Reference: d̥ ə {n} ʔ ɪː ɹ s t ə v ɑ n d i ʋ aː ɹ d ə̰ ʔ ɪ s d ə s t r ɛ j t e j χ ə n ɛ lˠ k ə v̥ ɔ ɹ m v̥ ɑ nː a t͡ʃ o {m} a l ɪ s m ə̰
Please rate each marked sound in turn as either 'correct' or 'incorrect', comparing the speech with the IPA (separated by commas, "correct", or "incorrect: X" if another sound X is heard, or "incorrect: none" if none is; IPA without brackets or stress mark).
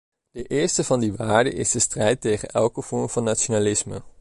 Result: incorrect: none, incorrect: n